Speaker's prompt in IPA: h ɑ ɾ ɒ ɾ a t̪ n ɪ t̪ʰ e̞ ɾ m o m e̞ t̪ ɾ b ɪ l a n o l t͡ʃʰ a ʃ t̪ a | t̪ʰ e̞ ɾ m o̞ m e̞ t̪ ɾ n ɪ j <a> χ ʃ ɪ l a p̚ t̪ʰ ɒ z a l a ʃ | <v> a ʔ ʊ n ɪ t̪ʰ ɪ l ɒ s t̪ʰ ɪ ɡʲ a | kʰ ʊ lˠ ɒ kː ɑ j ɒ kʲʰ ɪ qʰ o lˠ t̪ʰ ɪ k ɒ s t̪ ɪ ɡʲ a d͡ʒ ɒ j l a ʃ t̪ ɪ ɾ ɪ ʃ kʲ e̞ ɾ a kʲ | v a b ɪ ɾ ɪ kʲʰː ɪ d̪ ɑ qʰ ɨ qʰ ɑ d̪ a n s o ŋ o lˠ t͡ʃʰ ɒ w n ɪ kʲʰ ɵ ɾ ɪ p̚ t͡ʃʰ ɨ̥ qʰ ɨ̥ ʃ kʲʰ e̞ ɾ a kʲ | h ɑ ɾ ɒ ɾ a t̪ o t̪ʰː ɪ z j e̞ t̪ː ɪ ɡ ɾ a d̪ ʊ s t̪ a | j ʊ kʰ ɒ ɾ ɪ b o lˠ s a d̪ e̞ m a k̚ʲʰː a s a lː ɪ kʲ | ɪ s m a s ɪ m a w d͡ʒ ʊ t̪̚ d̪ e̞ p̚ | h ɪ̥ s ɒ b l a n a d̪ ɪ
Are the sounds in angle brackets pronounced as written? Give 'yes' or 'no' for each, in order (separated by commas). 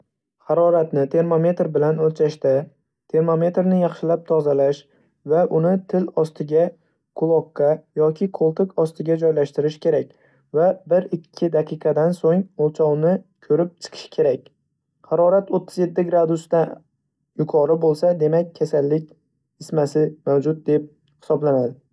no, yes